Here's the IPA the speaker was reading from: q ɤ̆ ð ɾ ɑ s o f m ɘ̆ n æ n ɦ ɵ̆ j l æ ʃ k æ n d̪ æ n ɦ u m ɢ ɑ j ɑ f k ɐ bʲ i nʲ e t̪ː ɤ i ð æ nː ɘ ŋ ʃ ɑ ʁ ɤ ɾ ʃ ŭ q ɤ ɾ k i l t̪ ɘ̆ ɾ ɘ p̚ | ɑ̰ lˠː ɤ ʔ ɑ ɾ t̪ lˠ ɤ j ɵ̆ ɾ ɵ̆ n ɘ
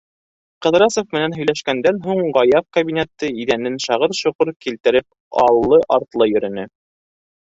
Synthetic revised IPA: q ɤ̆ ð ɾ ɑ s o f m ɘ̆ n æ n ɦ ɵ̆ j l æ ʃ k æ n d̪ æ n ɦ u ɴ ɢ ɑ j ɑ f k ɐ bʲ i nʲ e t̪ː ɤ i ð æ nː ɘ n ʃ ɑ ʁ ɤ ɾ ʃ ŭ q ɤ ɾ k i l t̪ ɘ̆ ɾ ɘ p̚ | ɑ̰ lˠː ɤ ʔ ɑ ɾ t̪ lˠ ɤ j ɵ̆ ɾ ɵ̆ n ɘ